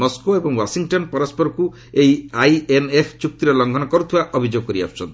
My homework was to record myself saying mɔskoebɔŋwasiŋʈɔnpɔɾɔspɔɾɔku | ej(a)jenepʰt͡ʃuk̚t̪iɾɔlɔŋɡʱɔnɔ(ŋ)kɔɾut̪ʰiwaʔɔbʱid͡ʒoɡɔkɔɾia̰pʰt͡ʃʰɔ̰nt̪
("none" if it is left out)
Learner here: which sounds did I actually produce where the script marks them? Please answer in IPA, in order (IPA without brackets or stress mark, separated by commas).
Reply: a, none